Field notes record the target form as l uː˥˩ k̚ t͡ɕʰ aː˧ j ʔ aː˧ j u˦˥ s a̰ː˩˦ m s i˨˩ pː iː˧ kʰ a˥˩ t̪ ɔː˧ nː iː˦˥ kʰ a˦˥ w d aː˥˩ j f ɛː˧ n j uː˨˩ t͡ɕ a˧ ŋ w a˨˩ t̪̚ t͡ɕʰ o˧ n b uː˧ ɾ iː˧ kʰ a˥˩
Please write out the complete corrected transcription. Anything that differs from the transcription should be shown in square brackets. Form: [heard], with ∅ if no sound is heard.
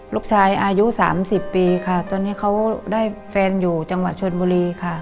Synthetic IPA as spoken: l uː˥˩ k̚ t͡ɕʰ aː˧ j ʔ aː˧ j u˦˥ s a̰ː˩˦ m s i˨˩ pː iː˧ kʰ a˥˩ t̪ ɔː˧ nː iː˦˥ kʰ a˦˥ w d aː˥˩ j f ɛː˧ n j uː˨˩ t͡ɕ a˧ ŋ w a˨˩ t̪̚ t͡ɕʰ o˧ n b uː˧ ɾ iː˧ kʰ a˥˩